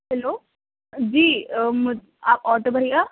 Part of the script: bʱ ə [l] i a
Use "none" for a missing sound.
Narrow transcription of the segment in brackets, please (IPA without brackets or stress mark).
ɾ